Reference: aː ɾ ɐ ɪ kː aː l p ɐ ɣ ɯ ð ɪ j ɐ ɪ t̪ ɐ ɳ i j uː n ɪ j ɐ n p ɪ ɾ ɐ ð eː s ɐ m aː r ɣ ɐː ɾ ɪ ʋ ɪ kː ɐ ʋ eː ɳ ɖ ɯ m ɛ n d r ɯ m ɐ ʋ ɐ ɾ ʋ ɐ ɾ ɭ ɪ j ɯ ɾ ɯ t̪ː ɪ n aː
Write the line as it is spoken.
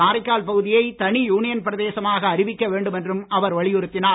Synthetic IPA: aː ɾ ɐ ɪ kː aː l p ɐ ɣ ɯ ð ɪ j ɐ ɪ t̪ ɐ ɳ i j uː n ɪ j ɐ n p ɪ ɾ ɐ ð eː s ɐ m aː ɣ ɐː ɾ ɪ ʋ ɪ kː ɐ ʋ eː ɳ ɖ ɯ m ɛ n d r ɯ m ɐ ʋ ɐ ɾ ʋ ɐ ɭ ɪ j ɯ ɾ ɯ t̪ː ɪ n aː

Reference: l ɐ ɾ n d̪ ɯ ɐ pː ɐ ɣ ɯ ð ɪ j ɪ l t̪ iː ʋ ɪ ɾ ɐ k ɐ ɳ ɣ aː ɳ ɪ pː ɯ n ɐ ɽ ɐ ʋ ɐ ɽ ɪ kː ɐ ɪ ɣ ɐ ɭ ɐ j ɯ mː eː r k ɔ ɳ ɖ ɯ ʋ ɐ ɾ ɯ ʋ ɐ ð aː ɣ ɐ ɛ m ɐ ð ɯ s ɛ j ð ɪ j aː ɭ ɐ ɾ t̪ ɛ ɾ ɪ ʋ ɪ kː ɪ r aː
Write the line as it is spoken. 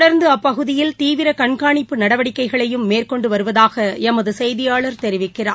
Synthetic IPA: ɽ ɐ ɾ n d̪ ɯ ɐ pː ɐ ɣ ɯ ð ɪ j ɪ l t̪ iː ʋ ɪ ɾ ɐ k ɐ ɳ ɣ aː ɳ ɪ pː ɯ n ɐ ɽ ɐ ʋ ɐ ɽ ɪ kː ɐ ɪ ɣ ɐ ɭ ɐ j ɯ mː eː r k ɔ ɳ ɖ ɯ ʋ ɐ ɾ ɯ ʋ ɐ ð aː ɣ ɐ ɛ m ɐ ð ɯ s ɛ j ð ɪ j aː ɭ ɐ ɾ t̪ ɛ ɾ ɪ ʋ ɪ kː ɪ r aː

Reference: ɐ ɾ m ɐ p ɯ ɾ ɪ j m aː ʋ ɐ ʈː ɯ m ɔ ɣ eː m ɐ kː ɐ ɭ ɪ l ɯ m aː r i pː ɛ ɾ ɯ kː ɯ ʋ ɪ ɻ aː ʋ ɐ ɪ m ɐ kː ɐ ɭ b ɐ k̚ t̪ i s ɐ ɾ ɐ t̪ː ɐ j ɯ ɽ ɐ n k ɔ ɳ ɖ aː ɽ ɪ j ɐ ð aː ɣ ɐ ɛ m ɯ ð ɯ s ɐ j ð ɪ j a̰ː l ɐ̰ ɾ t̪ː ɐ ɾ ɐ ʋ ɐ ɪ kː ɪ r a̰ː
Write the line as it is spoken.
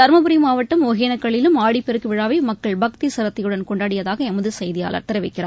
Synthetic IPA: ɐ ɾ m ɐ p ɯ ɾ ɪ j m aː ʋ ɐ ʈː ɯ m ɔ ɣ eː n ɐ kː ɐ ɭ ɪ l ɯ m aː ɽ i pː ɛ ɾ ɯ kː ɯ ʋ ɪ ɻ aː ʋ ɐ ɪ m ɐ kː ɐ ɭ b ɐ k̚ t̪ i s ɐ ɾ ɐ t̪ː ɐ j ɯ ɽ ɐ n k ɔ ɳ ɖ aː ɽ ɪ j ɐ ð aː ɣ ɐ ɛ m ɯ ð ɯ s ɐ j ð ɪ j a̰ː l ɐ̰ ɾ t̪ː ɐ ɾ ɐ ʋ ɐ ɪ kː ɪ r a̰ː

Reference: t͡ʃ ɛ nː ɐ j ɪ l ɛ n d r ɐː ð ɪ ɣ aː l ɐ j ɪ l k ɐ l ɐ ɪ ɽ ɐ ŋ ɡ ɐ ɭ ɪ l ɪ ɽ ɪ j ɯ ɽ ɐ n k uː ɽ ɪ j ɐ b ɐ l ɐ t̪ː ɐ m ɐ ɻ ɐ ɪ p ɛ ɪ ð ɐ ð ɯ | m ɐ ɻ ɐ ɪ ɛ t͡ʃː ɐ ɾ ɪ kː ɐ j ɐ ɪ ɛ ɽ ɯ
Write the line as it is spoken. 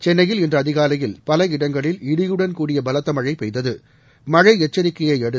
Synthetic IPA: t͡ʃ ɛ nː ɐ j ɪ l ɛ n d r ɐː ð ɪ ɣ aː l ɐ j ɪ l p ɐ l ɐ ɪ ɽ ɐ ŋ ɡ ɐ ɭ ɪ l ɪ ɽ ɪ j ɯ ɽ ɐ n k uː ɽ ɪ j ɐ b ɐ l ɐ t̪ː ɐ m ɐ ɻ ɐ ɪ p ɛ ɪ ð ɐ ð ɯ | m ɐ ɻ ɐ ɪ ɛ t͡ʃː ɐ ɾ ɪ kː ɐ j ɐ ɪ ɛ ɽ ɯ

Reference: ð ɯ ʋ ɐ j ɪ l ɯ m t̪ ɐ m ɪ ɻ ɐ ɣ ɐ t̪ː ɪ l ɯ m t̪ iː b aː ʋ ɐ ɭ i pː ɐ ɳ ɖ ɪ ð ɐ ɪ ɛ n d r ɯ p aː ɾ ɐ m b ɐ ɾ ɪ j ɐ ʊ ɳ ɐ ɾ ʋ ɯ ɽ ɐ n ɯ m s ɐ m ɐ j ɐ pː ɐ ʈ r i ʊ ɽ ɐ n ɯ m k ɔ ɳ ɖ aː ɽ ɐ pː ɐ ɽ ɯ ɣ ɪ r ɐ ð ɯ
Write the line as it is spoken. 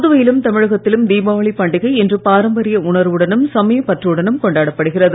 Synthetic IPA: ð ɯ ʋ ɐ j ɪ l ɯ m t̪ ɐ m ɪ ɻ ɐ ɣ ɐ t̪ː ɪ l ɯ m d̪ iː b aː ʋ ɐ ɭ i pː ɐ ɳ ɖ ɪ ɣ ɐ ɪ ɛ n d r ɯ p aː ɾ ɐ m b ɐ ɾ ɪ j ɐ ʊ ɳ ɐ ɾ ʋ ɯ ɽ ɐ n ɯ m s ɐ m ɐ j ɐ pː ɐ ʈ r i ɯ ɽ ɐ n ɯ m k ɔ ɳ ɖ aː ɽ ɐ pː ɐ ɽ ɯ ɣ ɪ r ɐ ð ɯ

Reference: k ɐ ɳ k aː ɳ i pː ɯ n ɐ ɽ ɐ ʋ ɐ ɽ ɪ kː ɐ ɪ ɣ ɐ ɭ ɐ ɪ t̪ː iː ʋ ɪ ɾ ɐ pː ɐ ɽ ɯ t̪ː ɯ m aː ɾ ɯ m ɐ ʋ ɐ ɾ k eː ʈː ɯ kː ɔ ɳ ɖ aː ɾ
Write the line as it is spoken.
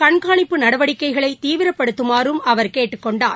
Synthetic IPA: k ɐ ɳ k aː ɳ ɪ pː ɯ n ɐ ɽ ɐ ʋ ɐ ɽ ɪ kː ɐ ɪ ɣ ɐ ɭ ɐ ɪ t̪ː iː ʋ ɪ ɾ ɐ pː ɐ ɽ ɯ t̪ː ɯ m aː ɾ ɯ m ɐ ʋ ɐ ɾ k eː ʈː ɯ kː ɔ ɳ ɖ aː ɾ

